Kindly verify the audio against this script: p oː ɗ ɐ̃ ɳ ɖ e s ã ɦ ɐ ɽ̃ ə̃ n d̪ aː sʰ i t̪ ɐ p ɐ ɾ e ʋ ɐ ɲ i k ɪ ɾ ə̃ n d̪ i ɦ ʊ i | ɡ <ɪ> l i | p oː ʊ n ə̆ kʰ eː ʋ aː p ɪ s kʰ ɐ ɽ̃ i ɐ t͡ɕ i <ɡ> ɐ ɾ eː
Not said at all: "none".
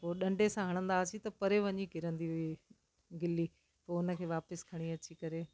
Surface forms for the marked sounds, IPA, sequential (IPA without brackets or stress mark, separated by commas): ɪ, k